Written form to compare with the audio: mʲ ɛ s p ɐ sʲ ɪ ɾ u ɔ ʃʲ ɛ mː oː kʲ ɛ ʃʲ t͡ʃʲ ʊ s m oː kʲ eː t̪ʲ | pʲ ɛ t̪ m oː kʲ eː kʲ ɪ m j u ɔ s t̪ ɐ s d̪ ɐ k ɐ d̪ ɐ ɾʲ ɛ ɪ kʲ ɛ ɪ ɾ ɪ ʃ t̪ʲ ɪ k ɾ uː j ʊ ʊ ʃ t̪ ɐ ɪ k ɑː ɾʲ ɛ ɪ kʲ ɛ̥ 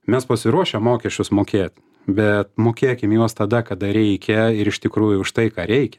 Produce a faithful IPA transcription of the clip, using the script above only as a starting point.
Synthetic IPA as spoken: mʲ ɛ s p ɐ sʲ ɪ ɾ u ɔ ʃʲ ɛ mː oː kʲ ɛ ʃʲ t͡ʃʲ ʊ s m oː kʲ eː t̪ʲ | bʲ ɛ t̪ m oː kʲ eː kʲ ɪ m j u ɔ s t̪ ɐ d̪ ɐ k ɐ d̪ ɐ ɾʲ ɛ ɪ kʲ ɛ ɪ ɾ ɪ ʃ t̪ʲ ɪ k ɾ uː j ʊ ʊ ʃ t̪ ɐ ɪ k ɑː ɾʲ ɛ ɪ kʲ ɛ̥